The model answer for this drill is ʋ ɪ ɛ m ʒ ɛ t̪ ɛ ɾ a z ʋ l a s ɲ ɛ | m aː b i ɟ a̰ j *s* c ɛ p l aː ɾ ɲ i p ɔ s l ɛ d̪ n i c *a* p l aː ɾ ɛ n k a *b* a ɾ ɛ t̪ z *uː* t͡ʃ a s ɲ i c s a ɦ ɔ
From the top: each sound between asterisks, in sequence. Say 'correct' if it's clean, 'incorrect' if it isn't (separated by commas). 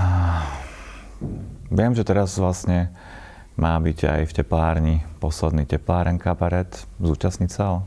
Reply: incorrect, incorrect, correct, correct